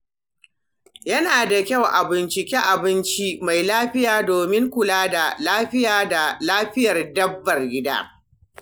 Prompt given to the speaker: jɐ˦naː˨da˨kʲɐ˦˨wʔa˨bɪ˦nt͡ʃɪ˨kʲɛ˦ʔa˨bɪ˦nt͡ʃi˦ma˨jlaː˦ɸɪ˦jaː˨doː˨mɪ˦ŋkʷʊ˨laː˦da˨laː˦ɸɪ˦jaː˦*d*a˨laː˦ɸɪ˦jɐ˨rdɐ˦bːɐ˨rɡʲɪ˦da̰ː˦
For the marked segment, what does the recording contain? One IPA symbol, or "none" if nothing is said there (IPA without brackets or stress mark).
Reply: d